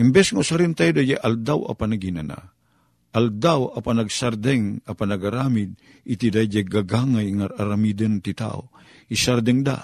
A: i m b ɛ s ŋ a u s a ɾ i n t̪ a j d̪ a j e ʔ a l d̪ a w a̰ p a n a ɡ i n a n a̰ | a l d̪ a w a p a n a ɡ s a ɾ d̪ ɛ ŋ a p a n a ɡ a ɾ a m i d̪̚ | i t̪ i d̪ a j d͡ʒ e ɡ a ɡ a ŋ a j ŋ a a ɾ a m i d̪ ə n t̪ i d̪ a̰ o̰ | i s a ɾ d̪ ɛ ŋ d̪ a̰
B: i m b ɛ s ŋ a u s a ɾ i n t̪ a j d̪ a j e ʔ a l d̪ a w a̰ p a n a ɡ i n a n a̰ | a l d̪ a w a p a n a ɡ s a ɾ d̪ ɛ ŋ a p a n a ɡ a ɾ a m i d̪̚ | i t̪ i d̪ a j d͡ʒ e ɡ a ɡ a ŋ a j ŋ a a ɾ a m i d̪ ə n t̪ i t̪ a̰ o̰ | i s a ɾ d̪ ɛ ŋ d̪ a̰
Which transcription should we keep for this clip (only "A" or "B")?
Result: B